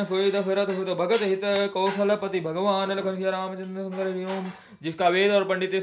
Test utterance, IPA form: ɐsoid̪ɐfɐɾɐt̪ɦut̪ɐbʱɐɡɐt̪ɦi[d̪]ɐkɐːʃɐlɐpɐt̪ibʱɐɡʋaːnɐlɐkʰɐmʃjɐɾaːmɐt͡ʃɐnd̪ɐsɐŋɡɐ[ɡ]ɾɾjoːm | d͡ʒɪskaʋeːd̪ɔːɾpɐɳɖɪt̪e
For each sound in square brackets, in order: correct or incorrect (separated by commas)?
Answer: incorrect, incorrect